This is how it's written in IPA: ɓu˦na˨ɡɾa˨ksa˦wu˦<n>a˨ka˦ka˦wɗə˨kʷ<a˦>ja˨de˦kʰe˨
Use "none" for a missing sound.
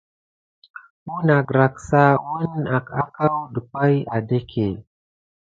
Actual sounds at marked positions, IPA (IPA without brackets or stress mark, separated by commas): n, a˦